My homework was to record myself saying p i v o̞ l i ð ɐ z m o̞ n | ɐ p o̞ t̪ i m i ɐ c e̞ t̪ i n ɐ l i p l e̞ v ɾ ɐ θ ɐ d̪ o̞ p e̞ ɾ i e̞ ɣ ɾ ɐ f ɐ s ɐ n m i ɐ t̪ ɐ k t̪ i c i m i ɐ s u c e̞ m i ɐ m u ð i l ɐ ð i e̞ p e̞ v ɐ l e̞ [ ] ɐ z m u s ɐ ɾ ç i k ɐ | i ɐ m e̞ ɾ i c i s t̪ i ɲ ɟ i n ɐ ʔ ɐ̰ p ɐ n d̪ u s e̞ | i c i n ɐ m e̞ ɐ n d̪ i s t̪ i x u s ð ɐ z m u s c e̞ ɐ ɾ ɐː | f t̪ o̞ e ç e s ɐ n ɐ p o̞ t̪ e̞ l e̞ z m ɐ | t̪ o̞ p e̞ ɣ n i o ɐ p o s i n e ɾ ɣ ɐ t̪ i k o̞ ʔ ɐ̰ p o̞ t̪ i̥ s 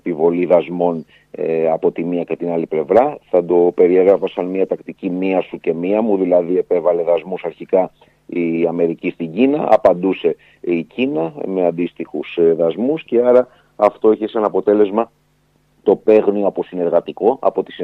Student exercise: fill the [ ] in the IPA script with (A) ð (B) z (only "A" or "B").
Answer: A